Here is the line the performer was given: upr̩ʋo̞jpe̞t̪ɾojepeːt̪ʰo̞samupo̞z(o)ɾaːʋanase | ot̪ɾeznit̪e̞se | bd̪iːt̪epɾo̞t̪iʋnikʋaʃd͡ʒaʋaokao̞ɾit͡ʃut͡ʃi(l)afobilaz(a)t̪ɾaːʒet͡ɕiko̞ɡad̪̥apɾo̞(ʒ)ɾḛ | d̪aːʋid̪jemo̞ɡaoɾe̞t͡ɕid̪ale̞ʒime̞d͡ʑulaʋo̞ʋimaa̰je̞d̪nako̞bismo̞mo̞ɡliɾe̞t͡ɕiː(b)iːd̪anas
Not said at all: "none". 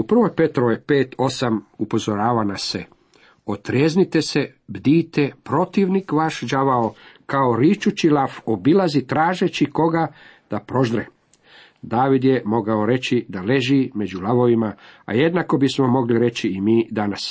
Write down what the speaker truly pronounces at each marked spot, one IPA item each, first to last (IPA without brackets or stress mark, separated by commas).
o, l, i, ʒ, m